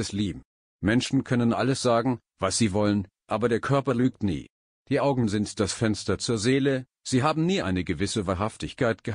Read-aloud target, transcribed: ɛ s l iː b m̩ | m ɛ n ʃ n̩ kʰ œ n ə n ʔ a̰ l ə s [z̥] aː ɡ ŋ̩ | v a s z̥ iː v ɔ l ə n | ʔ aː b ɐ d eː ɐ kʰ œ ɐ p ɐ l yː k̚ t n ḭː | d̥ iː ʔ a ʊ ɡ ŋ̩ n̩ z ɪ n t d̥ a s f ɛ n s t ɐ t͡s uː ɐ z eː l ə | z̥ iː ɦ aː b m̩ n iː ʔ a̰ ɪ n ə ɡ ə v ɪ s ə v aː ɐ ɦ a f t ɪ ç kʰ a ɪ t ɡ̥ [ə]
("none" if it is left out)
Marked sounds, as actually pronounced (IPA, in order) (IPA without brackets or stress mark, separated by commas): z̥, ə